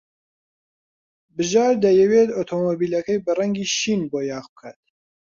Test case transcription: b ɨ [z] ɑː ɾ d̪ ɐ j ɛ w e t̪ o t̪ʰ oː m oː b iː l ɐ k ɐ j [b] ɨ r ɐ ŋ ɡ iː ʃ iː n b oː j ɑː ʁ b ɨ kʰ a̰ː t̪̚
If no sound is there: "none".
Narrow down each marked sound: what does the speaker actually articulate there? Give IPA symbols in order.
ʒ, b

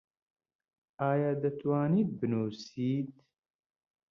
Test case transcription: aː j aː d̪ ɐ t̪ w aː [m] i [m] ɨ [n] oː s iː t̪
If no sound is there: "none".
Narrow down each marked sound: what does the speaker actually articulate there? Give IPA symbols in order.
n, b, n

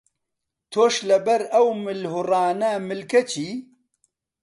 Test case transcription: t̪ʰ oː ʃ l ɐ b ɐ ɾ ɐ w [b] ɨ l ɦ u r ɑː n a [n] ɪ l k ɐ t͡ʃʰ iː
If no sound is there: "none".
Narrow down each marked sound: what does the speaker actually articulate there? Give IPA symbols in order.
m, m

